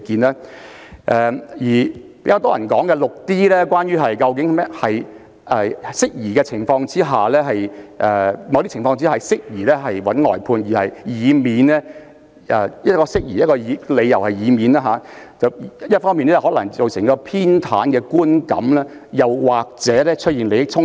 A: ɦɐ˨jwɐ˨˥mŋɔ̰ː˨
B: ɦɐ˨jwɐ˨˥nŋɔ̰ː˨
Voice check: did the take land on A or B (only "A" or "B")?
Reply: B